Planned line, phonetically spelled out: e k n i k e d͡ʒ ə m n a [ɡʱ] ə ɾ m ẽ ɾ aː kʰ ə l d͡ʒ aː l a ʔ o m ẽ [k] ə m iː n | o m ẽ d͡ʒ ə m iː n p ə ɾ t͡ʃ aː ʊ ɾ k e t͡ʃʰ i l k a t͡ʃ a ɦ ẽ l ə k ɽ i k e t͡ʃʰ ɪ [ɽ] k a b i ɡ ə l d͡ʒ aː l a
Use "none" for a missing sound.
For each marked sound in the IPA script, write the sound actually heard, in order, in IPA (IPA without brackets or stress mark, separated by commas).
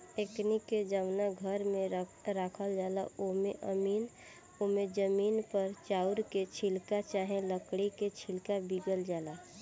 ɡʱ, ʔ, l